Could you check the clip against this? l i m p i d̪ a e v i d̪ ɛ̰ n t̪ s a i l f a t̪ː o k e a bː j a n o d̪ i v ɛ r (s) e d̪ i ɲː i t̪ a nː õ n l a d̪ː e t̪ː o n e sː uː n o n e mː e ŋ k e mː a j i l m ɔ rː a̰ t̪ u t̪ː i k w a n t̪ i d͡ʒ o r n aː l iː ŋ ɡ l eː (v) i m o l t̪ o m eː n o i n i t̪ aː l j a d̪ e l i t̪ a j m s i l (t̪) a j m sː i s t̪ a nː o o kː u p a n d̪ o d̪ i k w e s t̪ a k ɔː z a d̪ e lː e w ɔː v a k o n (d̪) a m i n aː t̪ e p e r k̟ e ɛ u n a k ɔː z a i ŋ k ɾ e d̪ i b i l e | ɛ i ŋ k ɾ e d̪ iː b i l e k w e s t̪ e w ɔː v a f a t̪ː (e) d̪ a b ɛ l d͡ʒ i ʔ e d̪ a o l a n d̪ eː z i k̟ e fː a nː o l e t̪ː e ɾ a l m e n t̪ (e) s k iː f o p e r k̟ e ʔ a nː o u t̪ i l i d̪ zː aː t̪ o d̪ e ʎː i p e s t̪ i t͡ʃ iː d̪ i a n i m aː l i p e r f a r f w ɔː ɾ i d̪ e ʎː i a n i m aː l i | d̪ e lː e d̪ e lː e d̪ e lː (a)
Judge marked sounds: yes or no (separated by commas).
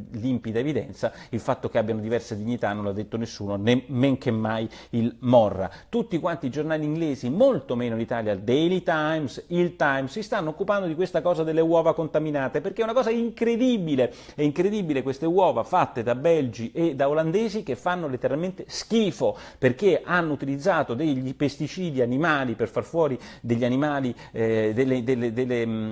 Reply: yes, no, yes, no, yes, yes, no